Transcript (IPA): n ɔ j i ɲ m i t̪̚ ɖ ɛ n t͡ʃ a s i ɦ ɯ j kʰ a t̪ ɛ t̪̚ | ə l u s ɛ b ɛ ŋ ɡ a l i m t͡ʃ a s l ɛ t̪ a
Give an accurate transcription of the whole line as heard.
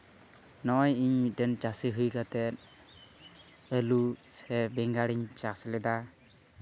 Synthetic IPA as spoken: n ɔ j i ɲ m i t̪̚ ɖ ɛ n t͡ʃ a s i ɦ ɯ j k a t̪ ɛ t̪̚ | ə l u s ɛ b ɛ ŋ ɡ a ɽ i ɲ t͡ʃ a s l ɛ d̪ a